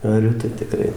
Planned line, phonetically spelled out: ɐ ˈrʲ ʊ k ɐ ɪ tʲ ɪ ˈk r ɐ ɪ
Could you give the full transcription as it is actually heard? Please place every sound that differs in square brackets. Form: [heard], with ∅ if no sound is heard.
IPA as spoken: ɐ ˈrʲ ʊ [t] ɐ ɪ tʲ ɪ ˈk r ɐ ɪ